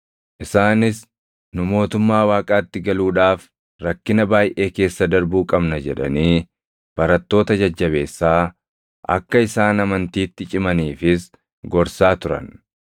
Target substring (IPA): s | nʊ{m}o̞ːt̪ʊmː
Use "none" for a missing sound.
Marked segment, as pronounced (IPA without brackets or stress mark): m